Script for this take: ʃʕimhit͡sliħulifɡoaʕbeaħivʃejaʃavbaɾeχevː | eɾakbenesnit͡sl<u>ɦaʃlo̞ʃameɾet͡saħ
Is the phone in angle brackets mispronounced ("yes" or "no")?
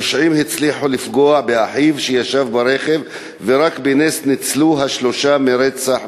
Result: no